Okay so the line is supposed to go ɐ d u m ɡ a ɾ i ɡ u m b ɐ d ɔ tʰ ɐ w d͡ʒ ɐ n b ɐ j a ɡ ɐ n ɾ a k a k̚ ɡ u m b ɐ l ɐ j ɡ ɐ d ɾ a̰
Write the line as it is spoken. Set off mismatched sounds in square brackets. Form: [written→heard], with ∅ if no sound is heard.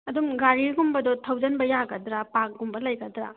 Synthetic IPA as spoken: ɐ d u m ɡ a ɾ i ɡ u m b ɐ d ɔ tʰ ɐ w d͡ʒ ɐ n b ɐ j a ɡ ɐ [n→d] ɾ a [k→p] a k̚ ɡ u m b ɐ l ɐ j ɡ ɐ d ɾ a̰